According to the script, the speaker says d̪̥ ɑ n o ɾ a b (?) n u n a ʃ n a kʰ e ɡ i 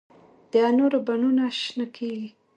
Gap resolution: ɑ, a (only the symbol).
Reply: a